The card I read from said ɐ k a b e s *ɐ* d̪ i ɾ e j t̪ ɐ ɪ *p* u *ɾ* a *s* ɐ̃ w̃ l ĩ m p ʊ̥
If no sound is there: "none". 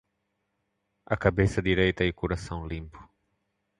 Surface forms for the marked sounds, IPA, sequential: ɐ, k, ɾ, s

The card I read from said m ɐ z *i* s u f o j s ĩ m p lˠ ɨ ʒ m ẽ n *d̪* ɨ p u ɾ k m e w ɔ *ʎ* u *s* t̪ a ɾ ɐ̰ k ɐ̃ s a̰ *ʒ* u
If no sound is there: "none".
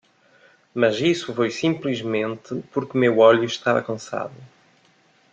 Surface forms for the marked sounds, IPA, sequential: i, t̪, ʎ, ʃ, ð

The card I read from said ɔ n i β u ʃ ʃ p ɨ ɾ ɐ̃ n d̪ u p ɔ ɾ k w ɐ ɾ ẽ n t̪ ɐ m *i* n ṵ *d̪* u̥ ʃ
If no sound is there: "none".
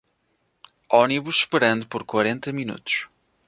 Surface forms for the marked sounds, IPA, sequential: i, t̪

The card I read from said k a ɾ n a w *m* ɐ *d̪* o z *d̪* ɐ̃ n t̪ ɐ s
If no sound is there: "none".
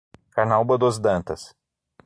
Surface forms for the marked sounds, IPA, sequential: b, d̪, d̪

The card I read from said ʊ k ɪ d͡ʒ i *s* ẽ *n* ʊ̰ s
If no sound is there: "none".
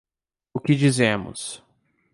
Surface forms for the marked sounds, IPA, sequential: z, m

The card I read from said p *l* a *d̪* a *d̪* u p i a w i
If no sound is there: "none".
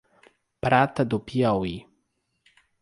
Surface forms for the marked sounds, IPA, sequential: ɾ, t̪, d̪

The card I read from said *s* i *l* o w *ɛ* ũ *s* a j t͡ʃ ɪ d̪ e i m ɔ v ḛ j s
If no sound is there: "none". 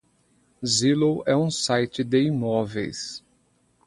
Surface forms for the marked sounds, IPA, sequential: z, l, ɛ, s

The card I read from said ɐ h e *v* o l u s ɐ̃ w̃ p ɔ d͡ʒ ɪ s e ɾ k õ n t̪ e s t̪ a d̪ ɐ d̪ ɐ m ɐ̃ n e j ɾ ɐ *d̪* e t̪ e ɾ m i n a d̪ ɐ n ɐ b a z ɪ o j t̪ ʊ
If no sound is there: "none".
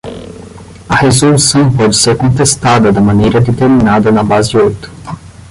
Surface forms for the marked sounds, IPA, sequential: z, d̪

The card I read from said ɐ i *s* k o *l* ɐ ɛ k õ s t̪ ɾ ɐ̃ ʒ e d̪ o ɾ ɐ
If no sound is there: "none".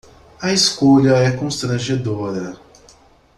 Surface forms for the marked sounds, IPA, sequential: s, ʎ

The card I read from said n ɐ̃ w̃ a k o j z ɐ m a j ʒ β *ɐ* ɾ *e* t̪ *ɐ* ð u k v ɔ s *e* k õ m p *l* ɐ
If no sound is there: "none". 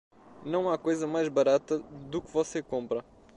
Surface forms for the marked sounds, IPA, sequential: ɐ, a, ɐ, e, ɾ

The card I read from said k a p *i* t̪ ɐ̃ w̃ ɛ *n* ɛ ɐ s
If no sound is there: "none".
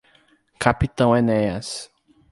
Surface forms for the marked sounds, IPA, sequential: i, n

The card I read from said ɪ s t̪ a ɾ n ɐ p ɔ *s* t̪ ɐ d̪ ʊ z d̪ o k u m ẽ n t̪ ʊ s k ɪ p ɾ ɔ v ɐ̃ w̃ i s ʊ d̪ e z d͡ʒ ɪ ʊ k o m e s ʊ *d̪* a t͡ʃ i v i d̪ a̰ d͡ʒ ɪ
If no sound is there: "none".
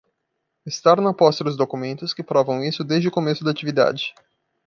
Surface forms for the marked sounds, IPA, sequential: s, d̪

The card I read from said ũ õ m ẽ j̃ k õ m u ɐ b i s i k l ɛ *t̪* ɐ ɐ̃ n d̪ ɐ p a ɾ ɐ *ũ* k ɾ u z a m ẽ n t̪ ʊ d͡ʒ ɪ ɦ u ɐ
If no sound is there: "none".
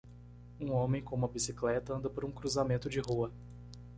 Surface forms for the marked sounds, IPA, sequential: t̪, ũ

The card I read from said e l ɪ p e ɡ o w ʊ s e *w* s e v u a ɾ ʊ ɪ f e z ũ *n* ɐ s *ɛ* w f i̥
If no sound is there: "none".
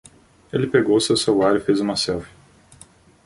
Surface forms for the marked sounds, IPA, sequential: w, m, ɛ

